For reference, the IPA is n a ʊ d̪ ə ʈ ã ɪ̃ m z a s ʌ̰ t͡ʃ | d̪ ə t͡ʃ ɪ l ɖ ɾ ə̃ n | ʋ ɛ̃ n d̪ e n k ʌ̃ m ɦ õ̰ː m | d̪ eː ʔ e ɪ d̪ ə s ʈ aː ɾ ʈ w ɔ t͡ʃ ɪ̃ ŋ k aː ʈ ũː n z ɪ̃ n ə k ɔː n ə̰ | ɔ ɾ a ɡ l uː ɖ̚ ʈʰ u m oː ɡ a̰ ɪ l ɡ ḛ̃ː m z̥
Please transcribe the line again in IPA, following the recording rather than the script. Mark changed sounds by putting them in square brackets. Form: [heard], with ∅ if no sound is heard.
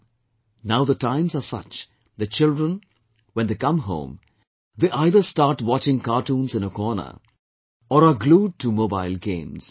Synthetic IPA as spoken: n a ʊ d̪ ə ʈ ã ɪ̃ m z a s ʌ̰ t͡ʃ | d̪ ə t͡ʃ ɪ l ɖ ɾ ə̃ n | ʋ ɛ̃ n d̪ e [∅] k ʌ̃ m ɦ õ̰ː m | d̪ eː ʔ [a] ɪ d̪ ə s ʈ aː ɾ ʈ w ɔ t͡ʃ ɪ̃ ŋ k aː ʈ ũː n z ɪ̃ n ə k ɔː n ə̰ | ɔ ɾ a ɡ l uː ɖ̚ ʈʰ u m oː [b] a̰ ɪ l ɡ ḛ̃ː m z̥